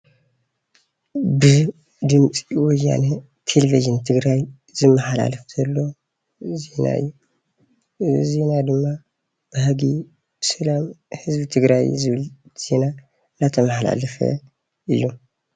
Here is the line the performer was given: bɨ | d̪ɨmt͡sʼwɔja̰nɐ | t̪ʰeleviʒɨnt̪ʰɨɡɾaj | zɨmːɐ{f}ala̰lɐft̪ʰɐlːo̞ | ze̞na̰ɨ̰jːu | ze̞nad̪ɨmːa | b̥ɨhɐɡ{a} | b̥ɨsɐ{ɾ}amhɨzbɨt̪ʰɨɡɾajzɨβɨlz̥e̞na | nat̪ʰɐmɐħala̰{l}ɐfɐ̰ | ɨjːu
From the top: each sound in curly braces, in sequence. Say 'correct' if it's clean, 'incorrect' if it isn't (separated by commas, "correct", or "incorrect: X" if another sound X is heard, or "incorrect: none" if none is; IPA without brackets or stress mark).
incorrect: ħ, incorrect: i, incorrect: l, correct